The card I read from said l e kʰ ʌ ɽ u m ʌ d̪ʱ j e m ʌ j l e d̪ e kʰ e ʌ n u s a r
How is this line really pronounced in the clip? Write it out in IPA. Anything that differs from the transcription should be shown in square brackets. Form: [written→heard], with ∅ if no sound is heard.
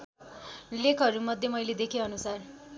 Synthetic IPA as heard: l e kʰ ʌ [ɽ→ɾ] u m ʌ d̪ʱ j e m ʌ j l e d̪ e kʰ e ʌ n u s a r